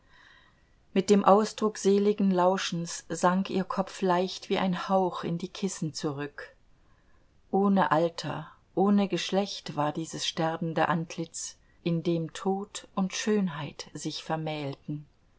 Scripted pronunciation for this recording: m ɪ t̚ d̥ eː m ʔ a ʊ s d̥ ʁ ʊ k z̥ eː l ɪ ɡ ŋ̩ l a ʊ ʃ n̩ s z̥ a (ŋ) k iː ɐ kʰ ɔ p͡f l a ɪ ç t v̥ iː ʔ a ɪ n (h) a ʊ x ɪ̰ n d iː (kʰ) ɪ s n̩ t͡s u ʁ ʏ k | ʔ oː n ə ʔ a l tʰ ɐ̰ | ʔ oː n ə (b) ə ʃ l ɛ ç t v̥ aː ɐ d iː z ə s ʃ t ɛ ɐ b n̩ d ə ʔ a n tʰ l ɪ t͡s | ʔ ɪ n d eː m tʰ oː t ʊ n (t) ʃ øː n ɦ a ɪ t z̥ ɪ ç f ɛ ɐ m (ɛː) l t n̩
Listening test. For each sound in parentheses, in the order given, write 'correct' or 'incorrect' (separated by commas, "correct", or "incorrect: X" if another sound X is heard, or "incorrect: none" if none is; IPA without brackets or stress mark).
correct, correct, correct, incorrect: ɡ, correct, correct